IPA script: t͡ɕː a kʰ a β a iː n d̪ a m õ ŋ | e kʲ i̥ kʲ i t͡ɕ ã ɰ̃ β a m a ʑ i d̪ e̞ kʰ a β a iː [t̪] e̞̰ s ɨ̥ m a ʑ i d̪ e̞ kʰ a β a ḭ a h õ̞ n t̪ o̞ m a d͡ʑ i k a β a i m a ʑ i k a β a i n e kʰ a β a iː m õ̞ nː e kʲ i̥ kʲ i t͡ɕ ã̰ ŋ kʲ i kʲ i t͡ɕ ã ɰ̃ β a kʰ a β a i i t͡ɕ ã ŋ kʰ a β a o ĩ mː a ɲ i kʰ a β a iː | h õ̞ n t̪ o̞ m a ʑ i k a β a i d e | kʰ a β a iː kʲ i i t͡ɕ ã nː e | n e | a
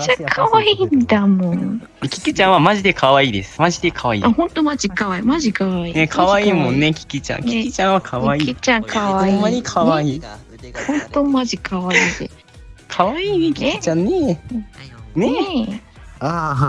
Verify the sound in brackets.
incorrect: d̪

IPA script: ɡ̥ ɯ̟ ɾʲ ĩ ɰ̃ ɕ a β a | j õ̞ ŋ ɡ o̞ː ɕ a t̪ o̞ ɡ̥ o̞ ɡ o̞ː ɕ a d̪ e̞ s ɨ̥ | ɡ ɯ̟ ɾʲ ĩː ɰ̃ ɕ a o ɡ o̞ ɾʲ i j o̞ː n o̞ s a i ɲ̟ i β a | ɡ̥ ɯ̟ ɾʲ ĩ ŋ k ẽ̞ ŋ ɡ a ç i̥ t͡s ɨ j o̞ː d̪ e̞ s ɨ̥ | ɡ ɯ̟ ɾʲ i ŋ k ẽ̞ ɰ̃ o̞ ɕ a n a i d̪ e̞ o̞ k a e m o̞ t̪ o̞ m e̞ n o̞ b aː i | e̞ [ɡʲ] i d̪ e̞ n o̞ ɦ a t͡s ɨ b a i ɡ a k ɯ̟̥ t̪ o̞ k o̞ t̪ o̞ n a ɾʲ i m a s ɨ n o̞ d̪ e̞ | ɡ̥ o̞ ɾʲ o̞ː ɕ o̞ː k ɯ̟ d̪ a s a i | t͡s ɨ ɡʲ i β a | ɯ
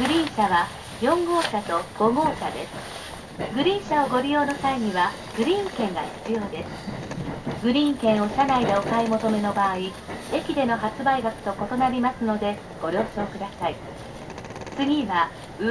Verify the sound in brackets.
incorrect: kʲ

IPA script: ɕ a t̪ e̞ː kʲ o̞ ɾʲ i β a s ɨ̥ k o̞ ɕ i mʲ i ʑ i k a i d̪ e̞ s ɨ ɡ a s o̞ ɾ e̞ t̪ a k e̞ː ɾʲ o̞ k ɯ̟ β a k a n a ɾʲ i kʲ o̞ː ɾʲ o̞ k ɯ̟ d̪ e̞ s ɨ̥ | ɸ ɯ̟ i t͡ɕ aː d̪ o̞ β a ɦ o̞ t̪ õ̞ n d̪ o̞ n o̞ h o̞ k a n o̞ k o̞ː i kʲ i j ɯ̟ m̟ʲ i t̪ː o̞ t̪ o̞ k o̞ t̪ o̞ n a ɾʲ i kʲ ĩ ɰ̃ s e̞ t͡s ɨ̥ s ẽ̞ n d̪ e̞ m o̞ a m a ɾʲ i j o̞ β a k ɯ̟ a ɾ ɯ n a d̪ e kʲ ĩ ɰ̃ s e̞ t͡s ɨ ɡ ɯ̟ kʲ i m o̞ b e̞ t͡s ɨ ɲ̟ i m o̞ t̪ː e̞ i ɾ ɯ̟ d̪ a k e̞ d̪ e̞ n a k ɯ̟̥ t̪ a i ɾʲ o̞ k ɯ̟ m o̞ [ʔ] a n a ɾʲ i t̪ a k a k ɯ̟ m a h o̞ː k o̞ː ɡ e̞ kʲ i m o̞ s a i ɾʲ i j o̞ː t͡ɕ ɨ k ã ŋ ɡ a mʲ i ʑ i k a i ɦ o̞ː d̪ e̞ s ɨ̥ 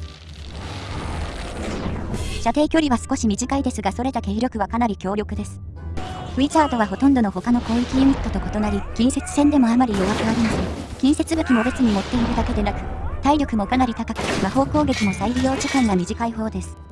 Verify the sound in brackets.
incorrect: k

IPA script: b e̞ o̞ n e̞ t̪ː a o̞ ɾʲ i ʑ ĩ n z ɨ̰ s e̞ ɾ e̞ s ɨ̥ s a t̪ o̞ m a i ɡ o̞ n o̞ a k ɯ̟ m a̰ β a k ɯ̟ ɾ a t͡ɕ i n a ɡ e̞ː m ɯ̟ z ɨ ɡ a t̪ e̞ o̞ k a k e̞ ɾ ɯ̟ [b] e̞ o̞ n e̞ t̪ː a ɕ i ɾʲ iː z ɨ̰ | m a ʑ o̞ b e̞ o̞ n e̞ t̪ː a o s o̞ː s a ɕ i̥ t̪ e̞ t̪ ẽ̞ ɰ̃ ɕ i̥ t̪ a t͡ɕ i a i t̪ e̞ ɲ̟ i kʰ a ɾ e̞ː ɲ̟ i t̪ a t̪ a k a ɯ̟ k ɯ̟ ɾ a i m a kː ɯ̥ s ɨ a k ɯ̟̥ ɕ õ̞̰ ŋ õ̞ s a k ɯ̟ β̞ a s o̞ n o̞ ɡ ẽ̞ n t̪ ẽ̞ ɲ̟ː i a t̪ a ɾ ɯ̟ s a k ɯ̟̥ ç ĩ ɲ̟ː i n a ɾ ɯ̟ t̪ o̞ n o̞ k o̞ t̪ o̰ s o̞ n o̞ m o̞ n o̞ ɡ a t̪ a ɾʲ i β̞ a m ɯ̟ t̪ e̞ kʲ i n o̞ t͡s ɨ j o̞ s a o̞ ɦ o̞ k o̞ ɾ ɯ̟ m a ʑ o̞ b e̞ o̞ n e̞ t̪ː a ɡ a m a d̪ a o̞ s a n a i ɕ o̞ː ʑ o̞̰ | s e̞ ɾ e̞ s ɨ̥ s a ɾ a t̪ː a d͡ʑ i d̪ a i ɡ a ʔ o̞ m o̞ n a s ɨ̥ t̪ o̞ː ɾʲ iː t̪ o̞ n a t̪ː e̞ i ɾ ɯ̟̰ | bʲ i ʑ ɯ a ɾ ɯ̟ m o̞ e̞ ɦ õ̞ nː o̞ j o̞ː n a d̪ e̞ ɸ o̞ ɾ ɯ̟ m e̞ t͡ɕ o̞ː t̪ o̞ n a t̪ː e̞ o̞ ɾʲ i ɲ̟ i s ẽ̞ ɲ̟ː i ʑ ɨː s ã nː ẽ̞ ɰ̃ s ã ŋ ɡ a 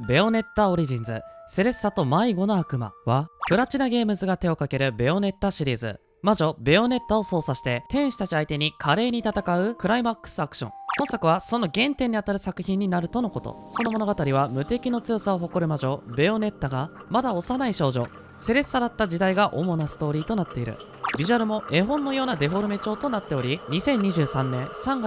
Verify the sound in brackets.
correct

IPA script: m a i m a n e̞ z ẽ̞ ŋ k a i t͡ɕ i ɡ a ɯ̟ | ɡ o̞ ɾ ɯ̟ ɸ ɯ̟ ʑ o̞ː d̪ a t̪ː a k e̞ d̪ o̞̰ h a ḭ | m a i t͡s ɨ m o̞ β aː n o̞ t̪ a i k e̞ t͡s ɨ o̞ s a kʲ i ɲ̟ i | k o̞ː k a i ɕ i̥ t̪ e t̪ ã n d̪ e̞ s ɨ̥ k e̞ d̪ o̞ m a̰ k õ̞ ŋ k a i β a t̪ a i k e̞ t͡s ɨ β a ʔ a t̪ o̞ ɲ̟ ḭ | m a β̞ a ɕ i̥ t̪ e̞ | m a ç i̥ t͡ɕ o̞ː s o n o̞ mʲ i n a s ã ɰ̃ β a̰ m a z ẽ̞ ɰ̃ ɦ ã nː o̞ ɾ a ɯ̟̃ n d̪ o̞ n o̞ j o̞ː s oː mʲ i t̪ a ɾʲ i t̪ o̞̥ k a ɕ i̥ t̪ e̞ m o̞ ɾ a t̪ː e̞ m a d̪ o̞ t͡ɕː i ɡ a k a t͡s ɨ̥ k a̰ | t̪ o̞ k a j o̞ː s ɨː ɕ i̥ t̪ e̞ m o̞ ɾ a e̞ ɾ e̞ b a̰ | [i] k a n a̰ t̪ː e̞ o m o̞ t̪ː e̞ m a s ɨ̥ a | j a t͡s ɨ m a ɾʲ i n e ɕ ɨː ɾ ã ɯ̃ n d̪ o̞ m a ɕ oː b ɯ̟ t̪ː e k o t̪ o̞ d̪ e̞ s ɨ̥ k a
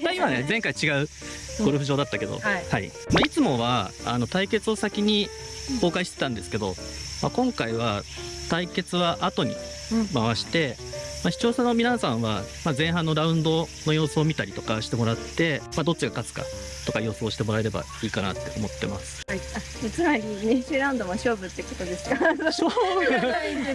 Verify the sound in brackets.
incorrect: iː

